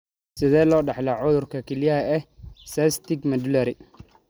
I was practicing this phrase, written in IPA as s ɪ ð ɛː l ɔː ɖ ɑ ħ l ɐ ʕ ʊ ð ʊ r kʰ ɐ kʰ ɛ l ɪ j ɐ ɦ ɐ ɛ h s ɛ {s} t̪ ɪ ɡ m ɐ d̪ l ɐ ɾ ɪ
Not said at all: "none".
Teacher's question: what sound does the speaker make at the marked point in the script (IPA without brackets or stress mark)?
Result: s